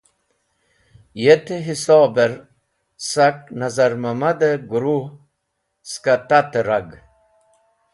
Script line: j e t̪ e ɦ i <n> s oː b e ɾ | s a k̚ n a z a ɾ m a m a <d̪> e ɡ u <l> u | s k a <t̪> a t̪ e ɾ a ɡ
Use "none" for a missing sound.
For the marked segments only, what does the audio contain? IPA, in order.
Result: none, d̪, ɾ, t̪

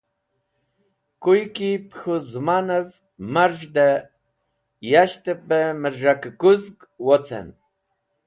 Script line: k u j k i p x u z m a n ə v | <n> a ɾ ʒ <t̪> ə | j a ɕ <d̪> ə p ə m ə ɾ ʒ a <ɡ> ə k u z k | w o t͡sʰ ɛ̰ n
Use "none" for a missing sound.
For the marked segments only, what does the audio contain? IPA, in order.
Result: m, d̪, t̪, k

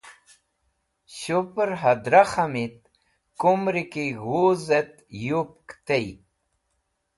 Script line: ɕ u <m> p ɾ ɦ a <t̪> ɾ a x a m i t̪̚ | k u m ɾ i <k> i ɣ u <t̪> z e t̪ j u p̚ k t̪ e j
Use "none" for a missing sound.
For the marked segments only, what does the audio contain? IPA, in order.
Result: none, d̪, k, none

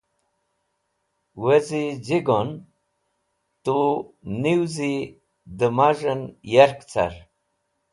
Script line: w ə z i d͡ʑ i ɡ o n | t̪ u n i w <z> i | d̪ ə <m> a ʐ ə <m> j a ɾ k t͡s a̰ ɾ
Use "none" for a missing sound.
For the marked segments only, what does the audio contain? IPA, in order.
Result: z, m, n

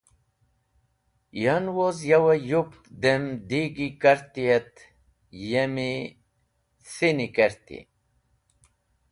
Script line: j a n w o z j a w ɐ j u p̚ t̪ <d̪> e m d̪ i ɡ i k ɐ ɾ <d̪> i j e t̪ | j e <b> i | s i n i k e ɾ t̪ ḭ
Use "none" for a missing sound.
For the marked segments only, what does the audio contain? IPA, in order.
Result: d̪, t̪, m

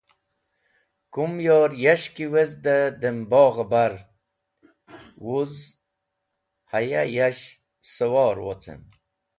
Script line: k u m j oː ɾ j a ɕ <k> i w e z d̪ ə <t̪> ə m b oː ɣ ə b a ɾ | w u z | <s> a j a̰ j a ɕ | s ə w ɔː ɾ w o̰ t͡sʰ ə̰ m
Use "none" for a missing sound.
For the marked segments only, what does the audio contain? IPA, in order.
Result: k, d̪, h

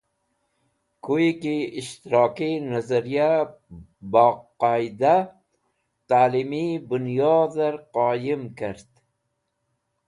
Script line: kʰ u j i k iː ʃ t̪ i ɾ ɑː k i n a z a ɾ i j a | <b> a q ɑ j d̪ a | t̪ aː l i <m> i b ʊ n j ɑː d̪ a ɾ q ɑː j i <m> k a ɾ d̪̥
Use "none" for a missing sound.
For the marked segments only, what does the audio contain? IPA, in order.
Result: b, m, m

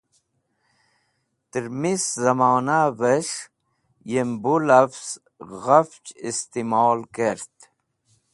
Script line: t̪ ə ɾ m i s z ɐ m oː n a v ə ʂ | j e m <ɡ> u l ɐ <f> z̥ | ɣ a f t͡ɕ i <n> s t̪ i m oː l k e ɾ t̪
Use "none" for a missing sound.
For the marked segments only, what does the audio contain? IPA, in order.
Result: b, f, none

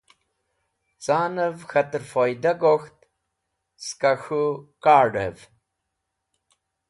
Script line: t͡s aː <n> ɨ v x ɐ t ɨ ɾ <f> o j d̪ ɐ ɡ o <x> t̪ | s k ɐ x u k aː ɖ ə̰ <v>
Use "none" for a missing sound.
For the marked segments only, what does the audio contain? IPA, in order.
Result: n, f, x, v

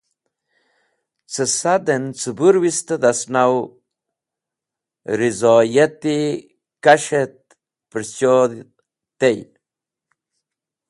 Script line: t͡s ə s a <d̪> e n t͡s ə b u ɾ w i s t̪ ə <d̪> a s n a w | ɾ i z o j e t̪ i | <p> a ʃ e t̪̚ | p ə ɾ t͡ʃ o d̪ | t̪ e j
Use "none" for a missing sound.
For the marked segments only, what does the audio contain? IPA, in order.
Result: d̪, d̪, k

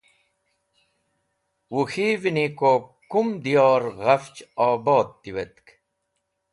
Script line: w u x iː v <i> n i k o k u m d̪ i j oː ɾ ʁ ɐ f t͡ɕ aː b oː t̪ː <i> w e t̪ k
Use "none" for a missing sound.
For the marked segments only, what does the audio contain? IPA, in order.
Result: i, i

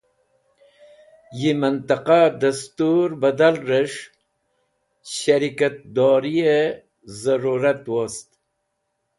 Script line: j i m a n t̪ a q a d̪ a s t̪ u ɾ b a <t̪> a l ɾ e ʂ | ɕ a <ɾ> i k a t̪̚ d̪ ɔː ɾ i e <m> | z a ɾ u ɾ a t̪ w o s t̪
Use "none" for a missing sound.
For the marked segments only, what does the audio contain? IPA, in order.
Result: d̪, ɾ, none

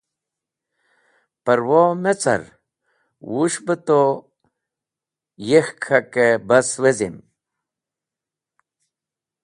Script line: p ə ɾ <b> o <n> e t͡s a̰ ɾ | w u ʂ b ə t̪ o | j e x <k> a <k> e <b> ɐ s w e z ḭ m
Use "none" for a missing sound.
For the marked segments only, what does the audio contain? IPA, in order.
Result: w, m, kʰ, k, b

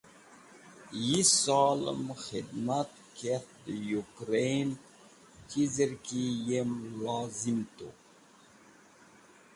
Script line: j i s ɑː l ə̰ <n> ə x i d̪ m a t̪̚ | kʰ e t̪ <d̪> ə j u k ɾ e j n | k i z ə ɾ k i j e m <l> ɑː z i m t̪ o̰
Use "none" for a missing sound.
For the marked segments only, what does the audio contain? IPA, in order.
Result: m, d̪, l

